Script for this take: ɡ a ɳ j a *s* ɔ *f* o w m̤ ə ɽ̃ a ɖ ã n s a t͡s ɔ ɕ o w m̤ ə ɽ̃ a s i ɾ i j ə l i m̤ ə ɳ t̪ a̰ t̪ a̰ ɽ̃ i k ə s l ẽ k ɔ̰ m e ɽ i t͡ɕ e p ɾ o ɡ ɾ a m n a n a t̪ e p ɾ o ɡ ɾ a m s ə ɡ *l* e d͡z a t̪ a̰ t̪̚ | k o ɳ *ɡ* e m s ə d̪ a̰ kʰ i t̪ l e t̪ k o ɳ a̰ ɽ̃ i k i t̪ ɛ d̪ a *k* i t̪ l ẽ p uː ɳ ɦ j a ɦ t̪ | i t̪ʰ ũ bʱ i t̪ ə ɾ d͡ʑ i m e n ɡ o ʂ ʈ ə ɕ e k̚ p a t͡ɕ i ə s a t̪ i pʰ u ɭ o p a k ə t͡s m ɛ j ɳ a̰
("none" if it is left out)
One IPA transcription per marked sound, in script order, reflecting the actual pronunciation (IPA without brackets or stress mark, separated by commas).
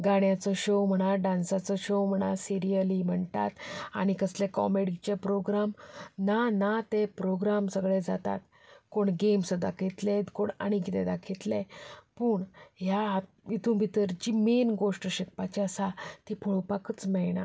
t͡s, ɕ, ɭ, ɡ, kʰ